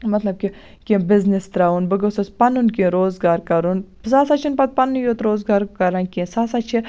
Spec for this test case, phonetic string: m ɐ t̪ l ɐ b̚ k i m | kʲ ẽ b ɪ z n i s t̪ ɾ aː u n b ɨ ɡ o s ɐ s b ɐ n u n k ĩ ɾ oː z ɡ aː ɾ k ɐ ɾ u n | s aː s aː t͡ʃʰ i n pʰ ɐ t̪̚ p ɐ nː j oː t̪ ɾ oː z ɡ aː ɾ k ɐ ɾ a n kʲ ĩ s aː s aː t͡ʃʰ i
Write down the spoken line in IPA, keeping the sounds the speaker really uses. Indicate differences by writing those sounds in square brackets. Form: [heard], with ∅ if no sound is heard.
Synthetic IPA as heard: m ɐ t̪ l ɐ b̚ k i [∅] | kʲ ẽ b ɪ z n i s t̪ ɾ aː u n b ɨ ɡ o s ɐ s [p] ɐ n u n k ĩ ɾ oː z ɡ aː ɾ k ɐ ɾ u n | s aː s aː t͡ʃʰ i n [p] ɐ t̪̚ p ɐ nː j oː t̪ ɾ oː z ɡ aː ɾ k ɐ ɾ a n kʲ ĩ s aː s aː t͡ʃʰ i